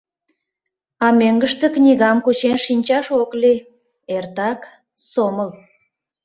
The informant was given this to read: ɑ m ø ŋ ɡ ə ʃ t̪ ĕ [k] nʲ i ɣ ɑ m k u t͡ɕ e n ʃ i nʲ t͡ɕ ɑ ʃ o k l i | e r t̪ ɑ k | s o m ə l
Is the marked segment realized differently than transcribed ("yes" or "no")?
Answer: no